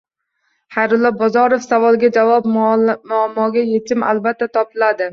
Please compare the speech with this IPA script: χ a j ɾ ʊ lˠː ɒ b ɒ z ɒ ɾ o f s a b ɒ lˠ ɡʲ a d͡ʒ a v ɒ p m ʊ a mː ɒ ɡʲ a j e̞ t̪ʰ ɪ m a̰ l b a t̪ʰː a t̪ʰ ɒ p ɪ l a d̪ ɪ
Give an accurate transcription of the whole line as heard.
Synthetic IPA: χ a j ɾ ʊ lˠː ɒ b ɒ z ɒ ɾ o f s a v ɒ lˠ ɡʲ a d͡ʒ a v ɒ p m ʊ a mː ɒ ɡʲ a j e̞ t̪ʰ ɪ m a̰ l b a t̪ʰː a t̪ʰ ɒ p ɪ l a d̪ ɪ